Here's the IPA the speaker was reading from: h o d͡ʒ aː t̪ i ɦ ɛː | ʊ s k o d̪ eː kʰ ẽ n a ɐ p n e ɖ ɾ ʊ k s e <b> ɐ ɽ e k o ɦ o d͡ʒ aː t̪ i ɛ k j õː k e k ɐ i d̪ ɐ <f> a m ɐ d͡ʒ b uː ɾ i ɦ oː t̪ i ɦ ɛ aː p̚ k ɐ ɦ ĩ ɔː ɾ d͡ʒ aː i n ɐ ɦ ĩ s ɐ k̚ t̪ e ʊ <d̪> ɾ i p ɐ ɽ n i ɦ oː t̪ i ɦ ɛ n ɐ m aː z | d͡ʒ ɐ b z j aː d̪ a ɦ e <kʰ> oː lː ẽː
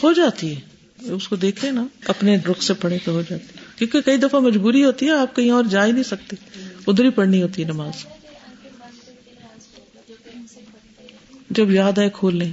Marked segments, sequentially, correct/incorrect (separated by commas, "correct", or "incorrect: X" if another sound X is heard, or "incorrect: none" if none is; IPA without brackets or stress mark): incorrect: p, correct, correct, correct